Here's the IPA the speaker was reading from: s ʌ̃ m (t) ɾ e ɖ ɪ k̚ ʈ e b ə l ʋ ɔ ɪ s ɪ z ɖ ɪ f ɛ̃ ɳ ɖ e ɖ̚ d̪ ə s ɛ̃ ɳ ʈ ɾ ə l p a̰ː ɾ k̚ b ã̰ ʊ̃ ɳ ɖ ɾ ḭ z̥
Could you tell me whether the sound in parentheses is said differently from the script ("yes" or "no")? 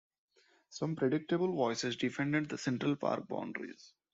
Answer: yes